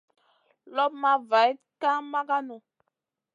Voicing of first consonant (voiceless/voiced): voiced